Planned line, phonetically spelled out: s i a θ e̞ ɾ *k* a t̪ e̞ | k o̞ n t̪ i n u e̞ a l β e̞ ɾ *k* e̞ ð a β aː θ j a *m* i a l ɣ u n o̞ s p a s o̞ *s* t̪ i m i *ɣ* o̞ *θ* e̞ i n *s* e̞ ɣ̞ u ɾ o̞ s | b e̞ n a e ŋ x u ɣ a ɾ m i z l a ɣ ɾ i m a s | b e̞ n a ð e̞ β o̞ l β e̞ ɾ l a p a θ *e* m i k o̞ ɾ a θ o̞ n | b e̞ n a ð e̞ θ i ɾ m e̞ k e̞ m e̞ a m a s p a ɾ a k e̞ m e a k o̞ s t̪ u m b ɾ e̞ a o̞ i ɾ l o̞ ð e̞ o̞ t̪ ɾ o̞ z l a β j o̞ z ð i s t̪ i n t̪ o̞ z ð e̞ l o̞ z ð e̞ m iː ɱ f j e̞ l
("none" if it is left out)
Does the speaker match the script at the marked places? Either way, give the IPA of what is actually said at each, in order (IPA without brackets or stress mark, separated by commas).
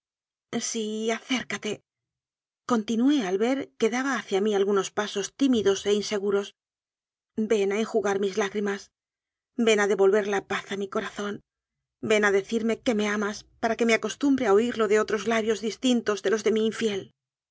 k, k, m, s, ð, s, s, a